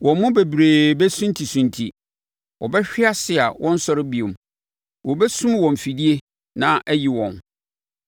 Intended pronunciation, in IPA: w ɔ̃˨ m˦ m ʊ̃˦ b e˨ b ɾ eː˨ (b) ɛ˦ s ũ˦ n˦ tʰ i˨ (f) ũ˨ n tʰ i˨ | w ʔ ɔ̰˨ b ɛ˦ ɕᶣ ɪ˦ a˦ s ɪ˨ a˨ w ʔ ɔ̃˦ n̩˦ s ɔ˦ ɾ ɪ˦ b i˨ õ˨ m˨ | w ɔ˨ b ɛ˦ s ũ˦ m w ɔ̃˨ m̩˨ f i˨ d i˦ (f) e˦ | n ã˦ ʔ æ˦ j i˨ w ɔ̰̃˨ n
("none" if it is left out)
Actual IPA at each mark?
b, s, none

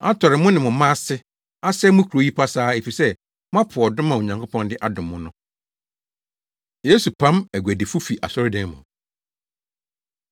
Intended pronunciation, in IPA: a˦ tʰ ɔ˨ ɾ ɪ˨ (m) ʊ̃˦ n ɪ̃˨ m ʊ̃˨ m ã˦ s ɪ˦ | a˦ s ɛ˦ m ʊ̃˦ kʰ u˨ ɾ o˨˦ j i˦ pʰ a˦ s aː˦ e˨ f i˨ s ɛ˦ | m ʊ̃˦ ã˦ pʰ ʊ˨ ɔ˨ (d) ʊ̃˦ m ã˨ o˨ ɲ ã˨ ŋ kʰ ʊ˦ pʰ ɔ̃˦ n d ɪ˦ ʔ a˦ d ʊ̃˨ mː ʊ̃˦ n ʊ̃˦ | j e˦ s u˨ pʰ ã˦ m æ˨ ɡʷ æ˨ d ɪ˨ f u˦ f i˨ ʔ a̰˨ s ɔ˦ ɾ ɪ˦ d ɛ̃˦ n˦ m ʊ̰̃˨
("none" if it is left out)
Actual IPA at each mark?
m, d

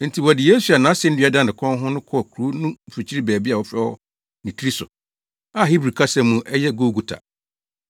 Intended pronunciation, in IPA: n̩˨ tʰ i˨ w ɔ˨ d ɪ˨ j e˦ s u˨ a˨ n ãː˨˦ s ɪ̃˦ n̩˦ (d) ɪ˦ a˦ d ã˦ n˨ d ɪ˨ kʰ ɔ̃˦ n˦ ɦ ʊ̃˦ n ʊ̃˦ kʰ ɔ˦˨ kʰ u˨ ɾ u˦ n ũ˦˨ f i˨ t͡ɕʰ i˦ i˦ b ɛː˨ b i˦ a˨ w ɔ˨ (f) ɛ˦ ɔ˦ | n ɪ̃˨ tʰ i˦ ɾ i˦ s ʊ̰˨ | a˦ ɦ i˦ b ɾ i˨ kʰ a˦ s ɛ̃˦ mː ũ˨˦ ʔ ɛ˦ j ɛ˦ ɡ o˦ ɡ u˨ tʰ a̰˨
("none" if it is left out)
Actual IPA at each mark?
d, f

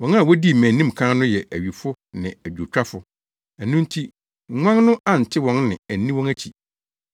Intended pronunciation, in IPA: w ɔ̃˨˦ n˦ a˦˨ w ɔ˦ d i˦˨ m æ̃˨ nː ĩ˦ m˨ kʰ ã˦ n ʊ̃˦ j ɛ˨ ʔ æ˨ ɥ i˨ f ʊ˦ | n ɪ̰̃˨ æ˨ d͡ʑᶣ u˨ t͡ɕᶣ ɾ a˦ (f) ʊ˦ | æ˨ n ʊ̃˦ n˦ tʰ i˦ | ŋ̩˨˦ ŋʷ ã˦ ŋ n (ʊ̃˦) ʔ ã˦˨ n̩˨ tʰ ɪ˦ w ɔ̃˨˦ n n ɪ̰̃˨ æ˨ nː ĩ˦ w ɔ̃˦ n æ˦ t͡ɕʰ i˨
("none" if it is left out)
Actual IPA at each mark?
f, ʊ̃˦

